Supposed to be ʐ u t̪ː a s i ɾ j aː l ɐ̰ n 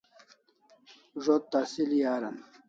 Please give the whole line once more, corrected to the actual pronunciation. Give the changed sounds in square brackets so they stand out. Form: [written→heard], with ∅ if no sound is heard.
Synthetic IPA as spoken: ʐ [u→o] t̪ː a s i [ɾ→l] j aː [l→ɾ] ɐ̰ n